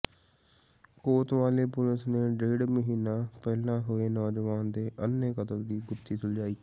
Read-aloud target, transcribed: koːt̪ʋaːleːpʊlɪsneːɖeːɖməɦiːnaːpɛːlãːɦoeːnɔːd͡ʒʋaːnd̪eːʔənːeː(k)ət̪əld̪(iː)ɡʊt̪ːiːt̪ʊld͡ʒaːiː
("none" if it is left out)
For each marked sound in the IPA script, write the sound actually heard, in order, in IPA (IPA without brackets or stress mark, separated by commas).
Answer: k, iː